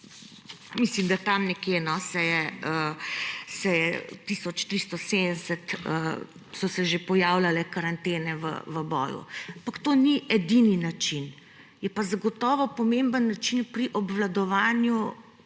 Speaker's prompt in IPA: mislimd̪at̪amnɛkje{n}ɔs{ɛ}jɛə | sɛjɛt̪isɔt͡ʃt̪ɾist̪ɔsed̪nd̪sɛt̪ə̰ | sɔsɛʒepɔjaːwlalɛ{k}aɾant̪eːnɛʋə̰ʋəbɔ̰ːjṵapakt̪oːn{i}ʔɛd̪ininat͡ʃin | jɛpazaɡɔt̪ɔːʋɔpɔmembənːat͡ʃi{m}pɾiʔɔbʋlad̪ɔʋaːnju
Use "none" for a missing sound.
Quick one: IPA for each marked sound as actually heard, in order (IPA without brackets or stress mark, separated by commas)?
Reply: n, ɛ, k, i, n